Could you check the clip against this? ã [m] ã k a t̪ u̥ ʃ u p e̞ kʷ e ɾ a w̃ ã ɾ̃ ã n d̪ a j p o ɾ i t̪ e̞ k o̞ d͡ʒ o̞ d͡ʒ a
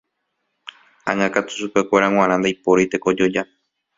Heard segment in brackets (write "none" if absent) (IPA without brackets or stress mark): ŋ